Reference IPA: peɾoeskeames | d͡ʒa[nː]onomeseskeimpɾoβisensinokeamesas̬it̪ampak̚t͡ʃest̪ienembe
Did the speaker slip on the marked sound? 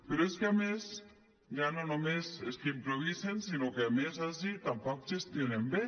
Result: yes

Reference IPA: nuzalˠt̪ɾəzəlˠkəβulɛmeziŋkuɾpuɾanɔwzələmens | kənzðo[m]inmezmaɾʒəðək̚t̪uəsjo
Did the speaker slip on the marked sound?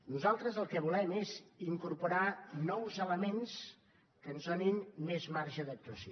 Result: yes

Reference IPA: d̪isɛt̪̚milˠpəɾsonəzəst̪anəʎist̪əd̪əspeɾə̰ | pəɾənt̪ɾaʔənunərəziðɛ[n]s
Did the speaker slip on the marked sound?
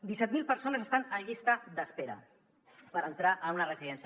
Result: no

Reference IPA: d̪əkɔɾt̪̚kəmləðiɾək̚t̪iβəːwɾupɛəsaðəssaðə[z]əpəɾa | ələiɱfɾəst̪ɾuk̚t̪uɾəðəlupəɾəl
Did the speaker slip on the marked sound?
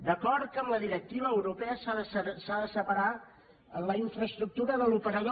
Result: yes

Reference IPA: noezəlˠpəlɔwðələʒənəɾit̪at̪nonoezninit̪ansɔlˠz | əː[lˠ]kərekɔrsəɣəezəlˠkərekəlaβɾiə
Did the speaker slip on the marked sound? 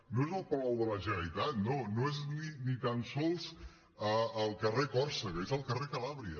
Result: no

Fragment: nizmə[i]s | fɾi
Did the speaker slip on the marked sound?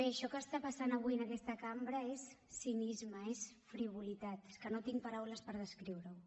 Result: yes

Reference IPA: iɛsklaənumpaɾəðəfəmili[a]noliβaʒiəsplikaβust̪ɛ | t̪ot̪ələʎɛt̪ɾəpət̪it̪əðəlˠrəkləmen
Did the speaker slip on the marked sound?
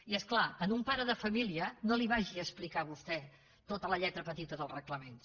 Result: yes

